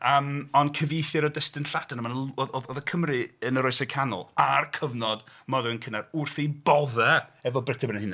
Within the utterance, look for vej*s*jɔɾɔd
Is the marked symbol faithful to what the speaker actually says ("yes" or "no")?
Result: no